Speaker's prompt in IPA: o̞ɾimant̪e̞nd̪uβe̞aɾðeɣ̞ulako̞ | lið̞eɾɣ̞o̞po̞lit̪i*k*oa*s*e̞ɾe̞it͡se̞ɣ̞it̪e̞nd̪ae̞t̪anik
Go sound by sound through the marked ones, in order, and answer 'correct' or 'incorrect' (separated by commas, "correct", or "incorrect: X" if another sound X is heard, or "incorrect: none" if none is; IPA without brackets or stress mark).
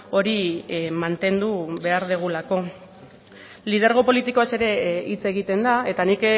correct, correct